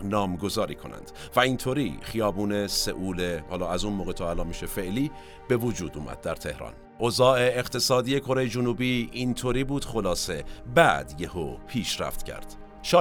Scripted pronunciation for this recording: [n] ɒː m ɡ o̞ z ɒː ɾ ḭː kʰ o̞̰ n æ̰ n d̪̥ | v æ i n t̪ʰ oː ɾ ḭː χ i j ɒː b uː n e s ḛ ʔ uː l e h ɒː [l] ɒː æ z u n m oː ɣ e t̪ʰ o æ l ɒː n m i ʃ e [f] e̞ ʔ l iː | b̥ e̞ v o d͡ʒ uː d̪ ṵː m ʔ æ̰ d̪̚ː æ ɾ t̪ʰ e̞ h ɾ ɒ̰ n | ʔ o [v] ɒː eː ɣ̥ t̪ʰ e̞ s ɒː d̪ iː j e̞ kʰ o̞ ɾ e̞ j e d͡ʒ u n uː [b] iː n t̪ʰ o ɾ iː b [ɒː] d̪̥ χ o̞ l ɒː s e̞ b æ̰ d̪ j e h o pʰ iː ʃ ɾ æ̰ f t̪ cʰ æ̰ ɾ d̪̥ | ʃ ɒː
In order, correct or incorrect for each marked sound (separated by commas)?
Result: correct, correct, correct, incorrect, correct, incorrect